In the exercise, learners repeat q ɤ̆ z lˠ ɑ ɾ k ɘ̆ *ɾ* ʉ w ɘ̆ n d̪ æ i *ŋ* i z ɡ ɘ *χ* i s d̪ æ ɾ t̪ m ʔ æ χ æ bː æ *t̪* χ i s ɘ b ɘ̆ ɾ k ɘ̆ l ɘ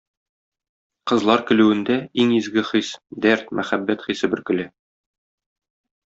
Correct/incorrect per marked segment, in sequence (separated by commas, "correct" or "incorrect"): incorrect, correct, correct, correct